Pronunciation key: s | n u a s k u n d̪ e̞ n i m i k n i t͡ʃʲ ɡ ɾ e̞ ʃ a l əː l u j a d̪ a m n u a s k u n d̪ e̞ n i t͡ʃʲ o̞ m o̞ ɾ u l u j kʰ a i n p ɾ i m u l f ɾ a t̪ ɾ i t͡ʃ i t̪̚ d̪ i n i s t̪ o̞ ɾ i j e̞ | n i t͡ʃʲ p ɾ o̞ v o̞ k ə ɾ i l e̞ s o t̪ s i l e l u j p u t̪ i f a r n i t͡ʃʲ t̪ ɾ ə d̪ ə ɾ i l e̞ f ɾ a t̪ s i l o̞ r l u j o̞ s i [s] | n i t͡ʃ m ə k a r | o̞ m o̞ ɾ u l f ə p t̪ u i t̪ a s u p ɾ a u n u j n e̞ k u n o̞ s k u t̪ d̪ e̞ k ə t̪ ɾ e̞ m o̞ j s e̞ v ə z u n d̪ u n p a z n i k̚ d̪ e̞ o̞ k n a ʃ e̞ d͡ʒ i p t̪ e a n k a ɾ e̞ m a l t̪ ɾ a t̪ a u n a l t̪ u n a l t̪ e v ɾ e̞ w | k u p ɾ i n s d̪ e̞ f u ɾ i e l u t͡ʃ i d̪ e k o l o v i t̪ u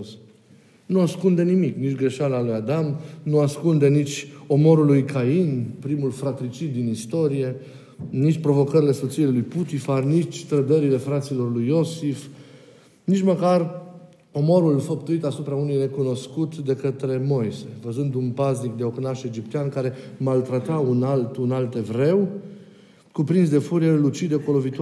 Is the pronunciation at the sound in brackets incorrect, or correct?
incorrect